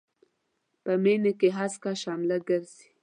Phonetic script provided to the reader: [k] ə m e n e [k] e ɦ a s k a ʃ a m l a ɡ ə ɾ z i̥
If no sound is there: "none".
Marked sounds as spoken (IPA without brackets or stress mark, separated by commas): p, k